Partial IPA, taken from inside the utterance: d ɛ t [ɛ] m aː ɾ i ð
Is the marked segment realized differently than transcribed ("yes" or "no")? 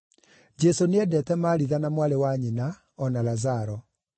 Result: no